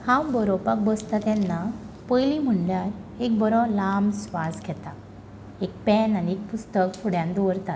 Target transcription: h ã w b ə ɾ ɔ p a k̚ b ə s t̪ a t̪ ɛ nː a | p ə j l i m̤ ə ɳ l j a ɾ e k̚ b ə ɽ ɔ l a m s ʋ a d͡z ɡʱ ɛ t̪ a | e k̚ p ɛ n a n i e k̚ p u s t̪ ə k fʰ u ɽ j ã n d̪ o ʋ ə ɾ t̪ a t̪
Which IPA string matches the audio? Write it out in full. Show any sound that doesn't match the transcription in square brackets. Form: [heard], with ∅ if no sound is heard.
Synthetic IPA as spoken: h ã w b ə ɾ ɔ p a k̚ b ə s t̪ a t̪ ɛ nː a | p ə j l i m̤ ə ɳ l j a ɾ e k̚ b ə [ɾ] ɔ l a m s ʋ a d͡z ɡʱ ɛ t̪ a | e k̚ p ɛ n a n i e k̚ p u s t̪ ə k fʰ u ɽ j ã n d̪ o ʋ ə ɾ t̪ a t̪